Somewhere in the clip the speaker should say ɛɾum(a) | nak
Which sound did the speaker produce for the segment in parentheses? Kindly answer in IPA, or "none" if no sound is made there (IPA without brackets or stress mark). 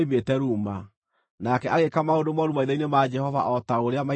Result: a